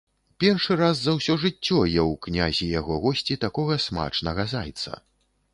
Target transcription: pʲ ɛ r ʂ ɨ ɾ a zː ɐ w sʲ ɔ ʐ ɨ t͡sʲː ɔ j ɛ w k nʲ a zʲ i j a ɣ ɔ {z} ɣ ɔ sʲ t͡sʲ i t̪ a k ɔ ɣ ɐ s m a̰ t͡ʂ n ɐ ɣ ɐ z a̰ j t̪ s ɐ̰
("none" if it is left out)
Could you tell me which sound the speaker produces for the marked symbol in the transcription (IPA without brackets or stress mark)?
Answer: none